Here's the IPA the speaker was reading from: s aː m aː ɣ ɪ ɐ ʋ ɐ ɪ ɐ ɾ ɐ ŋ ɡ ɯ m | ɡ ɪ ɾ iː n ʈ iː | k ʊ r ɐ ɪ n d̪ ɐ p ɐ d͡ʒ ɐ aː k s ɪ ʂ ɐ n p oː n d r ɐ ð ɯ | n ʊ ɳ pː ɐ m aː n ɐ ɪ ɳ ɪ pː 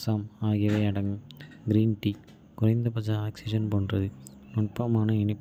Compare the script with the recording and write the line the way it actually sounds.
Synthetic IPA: s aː m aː ɣ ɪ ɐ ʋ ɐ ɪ ɐ ɽ ɐ ŋ ɡ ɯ m | ɡ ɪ ɾ iː n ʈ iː | k ʊ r ɐ ɪ n d̪ ɐ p ɐ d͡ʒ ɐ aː k s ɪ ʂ ɐ n p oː n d r ɐ ð ɯ | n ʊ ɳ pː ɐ m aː n ɐ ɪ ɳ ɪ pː

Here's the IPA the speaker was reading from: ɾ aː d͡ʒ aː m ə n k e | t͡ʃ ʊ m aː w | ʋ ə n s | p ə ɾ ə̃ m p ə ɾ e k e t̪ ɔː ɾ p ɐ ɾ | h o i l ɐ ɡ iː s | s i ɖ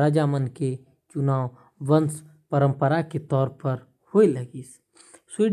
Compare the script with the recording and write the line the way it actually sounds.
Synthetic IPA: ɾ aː d͡ʒ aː m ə n k e | t͡ʃ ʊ n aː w | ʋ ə n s | p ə ɾ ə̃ m p ə ɾ a k e t̪ ɔː ɾ p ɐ ɾ | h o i l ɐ ɡ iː s | s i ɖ

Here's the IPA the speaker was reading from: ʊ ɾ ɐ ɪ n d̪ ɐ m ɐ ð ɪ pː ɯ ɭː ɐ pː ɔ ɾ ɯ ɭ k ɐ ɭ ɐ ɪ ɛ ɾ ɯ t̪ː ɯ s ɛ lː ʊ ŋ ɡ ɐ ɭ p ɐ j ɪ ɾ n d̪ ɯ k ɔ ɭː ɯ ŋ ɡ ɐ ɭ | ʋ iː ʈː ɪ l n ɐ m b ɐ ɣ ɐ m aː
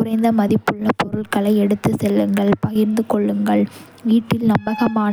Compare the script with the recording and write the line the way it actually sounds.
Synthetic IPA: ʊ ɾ ɐ ɪ n d̪ ɐ m ɐ ð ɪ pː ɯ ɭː ɐ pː ɔ ɾ ɯ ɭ k ɐ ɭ ɐ ɪ ɛ ɽ ɯ t̪ː ɯ s ɛ lː ɯ ŋ ɡ ɐ ɭ p ɐ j ɪ ɾ n d̪ ɯ k ɔ ɭː ɯ ŋ ɡ ɐ ɭ | ʋ iː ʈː ɪ l n ɐ m b ɐ ɣ ɐ m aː

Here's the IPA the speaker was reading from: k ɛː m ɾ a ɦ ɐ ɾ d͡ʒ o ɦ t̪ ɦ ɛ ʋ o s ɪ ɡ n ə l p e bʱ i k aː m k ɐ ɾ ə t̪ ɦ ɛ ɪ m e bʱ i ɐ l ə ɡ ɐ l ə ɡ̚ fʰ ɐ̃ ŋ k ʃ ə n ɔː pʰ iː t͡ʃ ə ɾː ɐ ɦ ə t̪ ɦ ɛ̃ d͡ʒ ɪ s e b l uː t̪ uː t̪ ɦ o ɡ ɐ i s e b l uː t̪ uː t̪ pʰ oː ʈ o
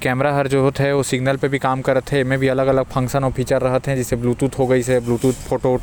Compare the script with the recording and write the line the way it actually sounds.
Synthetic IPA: k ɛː m ɾ a ɦ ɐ ɾ d͡ʒ o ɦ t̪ ɦ ɛ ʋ o s ɪ ɡ n ə l p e bʱ i k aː m k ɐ ɾ ə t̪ ɦ ɛ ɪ m ẽ bʱ i ɐ l ə ɡ ɐ l ə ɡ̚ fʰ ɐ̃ ŋ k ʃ ə n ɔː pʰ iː t͡ʃ ə ɾː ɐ ɦ ə t̪ ɦ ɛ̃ d͡ʒ ɪ s e b l uː t̪ uː t̪ ɦ o ɡ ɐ i s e b l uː t̪ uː t̪ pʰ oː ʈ o

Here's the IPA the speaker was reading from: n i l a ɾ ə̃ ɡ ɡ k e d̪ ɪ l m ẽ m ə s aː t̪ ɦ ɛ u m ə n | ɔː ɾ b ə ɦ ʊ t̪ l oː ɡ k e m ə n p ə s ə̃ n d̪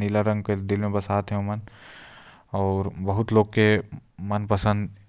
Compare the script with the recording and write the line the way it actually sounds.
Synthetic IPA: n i l a ɾ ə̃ ŋ ɡ k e d̪ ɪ l m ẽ b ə s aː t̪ ɦ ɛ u m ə n | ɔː ɾ b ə ɦ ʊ t̪ l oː ɡ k e m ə n p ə s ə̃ n d̪

